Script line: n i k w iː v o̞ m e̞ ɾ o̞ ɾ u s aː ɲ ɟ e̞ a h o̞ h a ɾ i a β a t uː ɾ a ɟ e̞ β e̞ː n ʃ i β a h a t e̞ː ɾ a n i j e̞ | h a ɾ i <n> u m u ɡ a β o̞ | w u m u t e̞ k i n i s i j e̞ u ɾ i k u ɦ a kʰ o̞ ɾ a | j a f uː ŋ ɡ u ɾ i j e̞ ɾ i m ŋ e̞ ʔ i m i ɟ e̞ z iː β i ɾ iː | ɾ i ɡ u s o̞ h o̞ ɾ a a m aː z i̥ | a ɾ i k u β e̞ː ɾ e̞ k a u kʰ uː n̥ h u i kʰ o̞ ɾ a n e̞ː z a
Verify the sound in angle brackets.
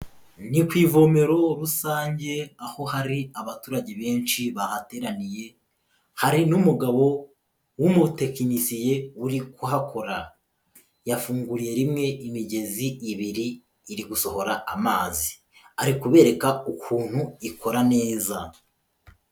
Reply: correct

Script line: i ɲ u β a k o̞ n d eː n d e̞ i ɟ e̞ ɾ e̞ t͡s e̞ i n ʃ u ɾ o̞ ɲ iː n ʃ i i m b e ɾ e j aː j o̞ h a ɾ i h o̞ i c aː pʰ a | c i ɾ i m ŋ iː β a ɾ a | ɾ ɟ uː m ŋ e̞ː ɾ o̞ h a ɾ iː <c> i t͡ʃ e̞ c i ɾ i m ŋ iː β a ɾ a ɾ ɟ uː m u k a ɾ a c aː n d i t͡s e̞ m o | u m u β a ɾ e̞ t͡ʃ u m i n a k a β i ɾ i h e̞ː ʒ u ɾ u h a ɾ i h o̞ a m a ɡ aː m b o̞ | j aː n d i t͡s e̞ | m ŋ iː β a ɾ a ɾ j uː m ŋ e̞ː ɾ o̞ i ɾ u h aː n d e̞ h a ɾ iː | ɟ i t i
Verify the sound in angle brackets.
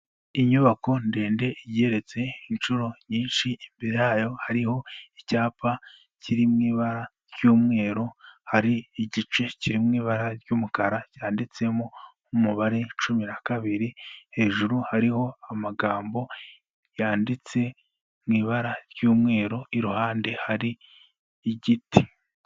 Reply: incorrect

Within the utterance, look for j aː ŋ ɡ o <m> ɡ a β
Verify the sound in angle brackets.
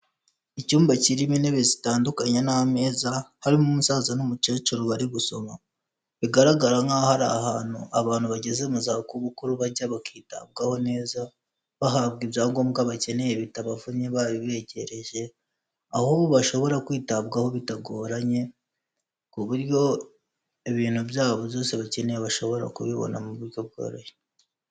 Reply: correct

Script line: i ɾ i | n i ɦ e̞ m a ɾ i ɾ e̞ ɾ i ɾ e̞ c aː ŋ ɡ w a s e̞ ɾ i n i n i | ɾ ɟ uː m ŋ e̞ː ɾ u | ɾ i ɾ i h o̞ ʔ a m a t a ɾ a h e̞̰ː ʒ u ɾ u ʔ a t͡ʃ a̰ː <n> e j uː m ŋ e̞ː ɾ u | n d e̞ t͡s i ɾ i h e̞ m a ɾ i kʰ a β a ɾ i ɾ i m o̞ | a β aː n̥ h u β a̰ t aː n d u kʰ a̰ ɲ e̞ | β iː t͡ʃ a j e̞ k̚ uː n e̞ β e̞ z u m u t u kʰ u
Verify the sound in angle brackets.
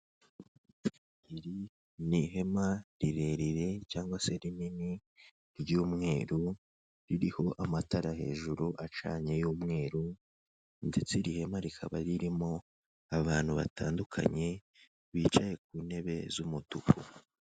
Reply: incorrect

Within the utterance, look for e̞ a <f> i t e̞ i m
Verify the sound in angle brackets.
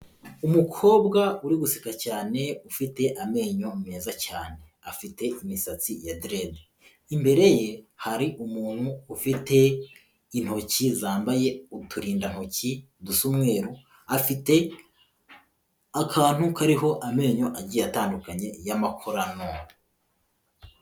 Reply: correct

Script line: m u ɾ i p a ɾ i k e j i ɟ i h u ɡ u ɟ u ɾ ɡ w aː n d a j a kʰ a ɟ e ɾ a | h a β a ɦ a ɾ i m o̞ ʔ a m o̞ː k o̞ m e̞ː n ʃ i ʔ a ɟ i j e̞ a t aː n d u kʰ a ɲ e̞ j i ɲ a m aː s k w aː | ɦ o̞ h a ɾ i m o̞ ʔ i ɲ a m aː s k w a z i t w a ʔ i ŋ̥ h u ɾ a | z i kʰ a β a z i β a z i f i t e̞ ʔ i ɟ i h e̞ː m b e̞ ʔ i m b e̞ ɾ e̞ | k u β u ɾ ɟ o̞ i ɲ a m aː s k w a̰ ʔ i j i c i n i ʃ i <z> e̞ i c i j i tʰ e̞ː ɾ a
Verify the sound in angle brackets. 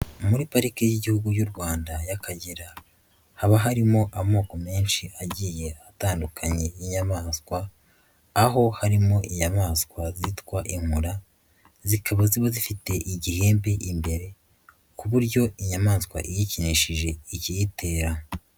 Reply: incorrect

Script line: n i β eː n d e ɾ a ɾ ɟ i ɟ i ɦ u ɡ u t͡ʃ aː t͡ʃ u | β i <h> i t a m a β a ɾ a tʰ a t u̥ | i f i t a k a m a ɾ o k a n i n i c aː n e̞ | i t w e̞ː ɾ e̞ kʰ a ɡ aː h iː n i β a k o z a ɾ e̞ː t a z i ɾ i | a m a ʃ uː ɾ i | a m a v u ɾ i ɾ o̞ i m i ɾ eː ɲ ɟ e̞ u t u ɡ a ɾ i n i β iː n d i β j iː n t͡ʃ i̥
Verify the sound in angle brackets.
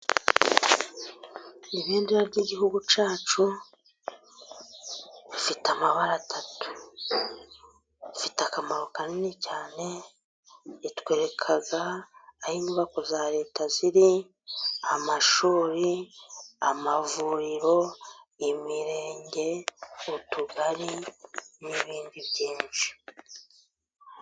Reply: incorrect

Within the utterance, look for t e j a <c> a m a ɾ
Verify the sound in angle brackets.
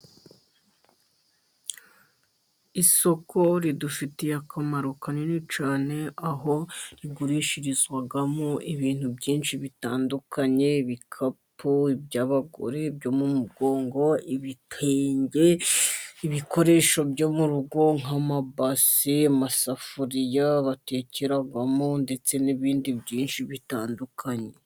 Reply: incorrect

